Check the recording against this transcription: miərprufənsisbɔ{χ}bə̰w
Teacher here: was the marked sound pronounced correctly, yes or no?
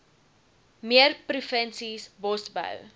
no